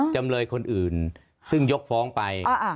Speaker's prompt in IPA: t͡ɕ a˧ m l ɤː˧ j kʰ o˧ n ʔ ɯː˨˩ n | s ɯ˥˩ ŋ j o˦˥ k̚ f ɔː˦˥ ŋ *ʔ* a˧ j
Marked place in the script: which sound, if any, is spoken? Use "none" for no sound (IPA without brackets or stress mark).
p